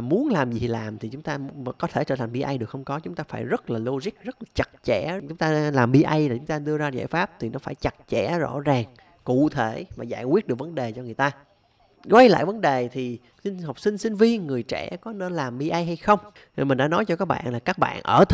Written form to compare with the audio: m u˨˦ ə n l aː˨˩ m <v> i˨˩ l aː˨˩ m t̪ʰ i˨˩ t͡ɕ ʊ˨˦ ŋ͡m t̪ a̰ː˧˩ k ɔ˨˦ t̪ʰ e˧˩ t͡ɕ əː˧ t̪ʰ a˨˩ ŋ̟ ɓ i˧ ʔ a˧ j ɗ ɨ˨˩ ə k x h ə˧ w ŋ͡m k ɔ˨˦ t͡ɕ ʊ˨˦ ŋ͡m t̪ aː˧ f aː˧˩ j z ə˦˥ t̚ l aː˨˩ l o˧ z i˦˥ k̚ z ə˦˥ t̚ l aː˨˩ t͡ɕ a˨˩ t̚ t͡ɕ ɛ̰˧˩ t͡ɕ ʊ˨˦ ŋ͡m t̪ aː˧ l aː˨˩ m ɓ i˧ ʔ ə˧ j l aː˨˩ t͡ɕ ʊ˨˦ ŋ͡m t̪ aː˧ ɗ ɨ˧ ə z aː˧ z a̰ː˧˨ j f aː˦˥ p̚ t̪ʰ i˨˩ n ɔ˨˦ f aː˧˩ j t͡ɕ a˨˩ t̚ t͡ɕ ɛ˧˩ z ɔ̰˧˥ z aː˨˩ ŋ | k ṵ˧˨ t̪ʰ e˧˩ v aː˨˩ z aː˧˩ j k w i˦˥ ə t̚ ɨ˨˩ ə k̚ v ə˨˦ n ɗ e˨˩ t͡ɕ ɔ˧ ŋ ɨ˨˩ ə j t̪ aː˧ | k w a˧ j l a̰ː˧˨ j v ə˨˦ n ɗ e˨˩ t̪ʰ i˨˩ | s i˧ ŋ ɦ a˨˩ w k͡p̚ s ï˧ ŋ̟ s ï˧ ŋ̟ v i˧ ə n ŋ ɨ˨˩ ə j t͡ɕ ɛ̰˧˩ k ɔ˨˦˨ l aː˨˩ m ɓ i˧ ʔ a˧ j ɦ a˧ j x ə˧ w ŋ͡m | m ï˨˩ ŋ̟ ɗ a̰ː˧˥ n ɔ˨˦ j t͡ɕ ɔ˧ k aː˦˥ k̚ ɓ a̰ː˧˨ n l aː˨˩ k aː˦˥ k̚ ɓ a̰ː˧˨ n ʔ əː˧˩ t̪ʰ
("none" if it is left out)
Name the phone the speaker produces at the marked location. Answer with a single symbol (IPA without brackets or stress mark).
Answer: z